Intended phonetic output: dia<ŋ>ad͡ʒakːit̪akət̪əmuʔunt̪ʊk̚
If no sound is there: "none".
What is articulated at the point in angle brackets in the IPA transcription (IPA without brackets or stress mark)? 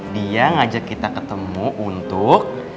ŋ